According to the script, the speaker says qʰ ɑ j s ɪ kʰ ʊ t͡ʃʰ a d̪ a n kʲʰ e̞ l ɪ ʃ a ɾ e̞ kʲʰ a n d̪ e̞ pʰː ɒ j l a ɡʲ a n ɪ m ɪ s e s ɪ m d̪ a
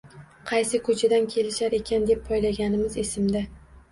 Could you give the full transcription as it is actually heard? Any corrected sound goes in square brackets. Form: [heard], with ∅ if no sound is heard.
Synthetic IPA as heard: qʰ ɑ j s ɪ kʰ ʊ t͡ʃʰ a d̪ a n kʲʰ e̞ l ɪ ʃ a ɾ e̞ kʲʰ a n d̪ e̞ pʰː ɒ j l a ɡʲ a n ɪ m ɪ [z] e s ɪ m d̪ a

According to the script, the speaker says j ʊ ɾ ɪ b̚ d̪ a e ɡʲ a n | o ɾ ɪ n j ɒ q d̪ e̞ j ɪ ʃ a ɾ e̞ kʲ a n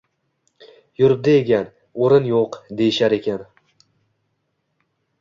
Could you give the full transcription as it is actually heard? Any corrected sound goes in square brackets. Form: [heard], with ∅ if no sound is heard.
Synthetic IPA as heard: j ʊ ɾ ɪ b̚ d̪ a e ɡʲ a n | o ɾ ɪ n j [o] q d̪ e̞ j ɪ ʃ a ɾ e̞ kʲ a n

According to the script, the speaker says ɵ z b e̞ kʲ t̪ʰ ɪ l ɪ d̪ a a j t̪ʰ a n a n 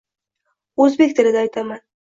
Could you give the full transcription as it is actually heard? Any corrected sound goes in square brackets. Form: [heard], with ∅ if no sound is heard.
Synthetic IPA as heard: ɵ z b e̞ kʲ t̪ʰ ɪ l ɪ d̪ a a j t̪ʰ a [m] a n

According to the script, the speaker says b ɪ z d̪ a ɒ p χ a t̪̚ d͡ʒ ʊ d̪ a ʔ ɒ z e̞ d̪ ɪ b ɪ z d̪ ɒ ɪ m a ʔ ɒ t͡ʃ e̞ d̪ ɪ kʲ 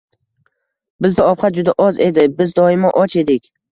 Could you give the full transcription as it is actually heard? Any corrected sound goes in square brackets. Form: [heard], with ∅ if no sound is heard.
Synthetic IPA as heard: b ɪ z d̪ a ɒ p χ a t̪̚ d͡ʒ ʊ d̪ a ʔ ɒ z e̞ d̪ ɪ b ɪ z d̪ ɒ ɪ m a ʔ ɒ t͡ʃ e̞ d̪ ɪ kʲ

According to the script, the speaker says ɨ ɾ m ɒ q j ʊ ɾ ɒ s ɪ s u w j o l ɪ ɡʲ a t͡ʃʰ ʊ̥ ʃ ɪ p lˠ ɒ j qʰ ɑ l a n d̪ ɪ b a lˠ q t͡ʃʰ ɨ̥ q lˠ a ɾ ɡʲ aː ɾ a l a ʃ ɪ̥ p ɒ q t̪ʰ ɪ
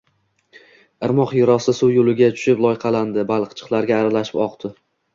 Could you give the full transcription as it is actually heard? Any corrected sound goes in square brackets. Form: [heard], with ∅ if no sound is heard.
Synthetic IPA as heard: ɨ ɾ m ɒ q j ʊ ɾ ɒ s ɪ s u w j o l ɪ ɡʲ a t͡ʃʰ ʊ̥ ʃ ɪ p lˠ ɒ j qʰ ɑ l a n d̪ ɪ b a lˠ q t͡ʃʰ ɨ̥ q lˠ a ɾ ɡʲ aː ɾ a l a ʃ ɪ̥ p ɒ q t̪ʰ ɪ

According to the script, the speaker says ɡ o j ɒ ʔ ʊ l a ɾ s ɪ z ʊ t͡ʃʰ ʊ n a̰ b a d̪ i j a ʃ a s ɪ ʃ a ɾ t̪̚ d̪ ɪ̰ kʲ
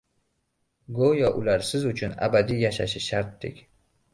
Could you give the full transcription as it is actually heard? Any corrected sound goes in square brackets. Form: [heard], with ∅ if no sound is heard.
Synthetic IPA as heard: ɡ o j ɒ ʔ ʊ l a ɾ s ɪ z ʊ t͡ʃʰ ʊ n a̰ b a d̪ i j a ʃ a [ʃ] ɪ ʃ a ɾ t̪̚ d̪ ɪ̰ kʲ

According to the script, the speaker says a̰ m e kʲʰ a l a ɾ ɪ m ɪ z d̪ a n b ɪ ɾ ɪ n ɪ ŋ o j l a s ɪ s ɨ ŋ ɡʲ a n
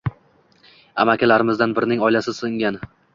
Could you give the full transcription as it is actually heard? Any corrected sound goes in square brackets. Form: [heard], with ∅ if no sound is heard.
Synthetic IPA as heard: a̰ m [a] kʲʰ a l a ɾ ɪ m ɪ z d̪ a n b ɪ ɾ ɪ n ɪ ŋ [ɒ] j l a s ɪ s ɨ ŋ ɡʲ a n

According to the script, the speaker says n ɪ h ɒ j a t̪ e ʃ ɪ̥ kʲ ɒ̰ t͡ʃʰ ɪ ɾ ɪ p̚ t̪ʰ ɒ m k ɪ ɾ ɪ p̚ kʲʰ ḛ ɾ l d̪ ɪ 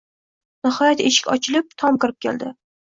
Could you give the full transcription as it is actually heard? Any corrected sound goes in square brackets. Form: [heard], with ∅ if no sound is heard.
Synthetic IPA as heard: n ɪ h ɒ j a t̪ e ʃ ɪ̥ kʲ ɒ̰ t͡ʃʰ ɪ [l] ɪ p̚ t̪ʰ ɒ m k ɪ ɾ ɪ p̚ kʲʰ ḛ [∅] l d̪ ɪ

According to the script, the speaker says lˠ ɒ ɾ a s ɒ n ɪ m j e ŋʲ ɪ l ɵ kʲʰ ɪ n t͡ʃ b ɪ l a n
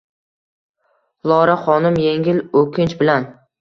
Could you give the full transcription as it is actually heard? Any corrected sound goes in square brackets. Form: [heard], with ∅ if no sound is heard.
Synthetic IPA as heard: lˠ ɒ ɾ a [χ] ɒ n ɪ m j e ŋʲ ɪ l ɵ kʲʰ ɪ n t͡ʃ b ɪ l a n

